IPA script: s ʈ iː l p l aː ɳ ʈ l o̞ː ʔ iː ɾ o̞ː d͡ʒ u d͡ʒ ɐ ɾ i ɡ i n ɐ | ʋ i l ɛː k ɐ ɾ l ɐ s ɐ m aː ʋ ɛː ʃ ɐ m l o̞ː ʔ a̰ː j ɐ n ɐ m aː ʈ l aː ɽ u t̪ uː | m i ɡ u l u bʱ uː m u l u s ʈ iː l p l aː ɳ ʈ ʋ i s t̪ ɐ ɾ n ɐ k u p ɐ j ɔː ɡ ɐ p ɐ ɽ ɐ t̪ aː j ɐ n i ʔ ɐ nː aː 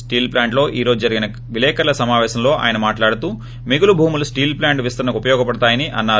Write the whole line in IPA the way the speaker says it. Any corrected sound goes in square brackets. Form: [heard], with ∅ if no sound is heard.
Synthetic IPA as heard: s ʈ iː l p l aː ɳ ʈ l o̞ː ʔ iː ɾ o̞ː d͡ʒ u d͡ʒ ɐ ɾ i ɡ i n ɐ | ʋ i l ɛː k ɐ ɾ l ɐ s ɐ m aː ʋ ɛː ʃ ɐ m l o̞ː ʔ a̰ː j ɐ n ɐ m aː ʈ l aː ɽ u t̪ uː | m i ɡ u l u bʱ uː m u l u s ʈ iː l p l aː ɳ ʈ ʋ i s t̪ ɐ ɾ n ɐ k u p ɐ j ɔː ɡ ɐ p ɐ ɽ ɐ t̪ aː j ɐ n i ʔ ɐ nː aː